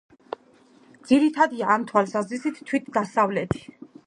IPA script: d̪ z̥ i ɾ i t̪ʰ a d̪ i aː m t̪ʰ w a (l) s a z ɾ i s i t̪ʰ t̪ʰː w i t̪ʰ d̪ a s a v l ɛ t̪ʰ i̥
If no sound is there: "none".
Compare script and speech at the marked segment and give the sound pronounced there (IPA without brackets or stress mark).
l